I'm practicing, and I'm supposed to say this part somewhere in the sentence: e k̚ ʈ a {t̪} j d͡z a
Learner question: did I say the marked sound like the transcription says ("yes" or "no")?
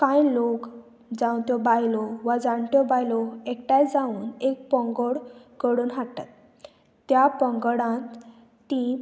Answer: no